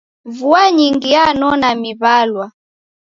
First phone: v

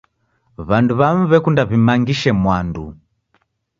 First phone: β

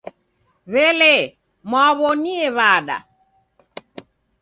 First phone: β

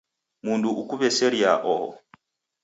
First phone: m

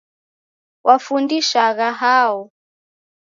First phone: w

